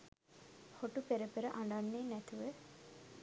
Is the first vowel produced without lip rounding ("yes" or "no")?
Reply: no